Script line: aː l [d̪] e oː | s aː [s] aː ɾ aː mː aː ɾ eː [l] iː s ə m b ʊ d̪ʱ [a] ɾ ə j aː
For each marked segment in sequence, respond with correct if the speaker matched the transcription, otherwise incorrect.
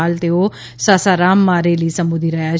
incorrect, correct, correct, incorrect

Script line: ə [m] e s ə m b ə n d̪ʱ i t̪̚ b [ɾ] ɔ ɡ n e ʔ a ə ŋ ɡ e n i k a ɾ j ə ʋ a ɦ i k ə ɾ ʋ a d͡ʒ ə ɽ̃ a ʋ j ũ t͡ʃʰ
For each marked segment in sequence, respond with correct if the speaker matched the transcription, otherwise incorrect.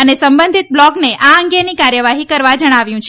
incorrect, incorrect

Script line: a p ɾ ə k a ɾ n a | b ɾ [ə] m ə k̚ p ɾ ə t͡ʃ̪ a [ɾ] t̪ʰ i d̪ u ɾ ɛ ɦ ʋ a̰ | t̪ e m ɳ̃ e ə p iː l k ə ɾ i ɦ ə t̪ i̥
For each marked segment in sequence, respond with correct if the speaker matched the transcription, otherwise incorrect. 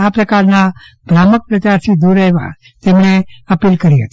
incorrect, correct

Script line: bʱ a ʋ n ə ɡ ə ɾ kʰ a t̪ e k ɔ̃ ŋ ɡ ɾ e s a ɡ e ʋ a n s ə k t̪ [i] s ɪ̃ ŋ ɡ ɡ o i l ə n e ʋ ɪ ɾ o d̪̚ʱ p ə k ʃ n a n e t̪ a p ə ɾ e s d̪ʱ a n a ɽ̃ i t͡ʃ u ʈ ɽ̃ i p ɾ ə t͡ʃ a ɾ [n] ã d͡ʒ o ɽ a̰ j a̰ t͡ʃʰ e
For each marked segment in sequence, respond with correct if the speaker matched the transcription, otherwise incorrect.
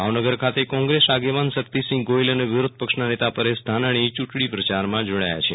correct, incorrect

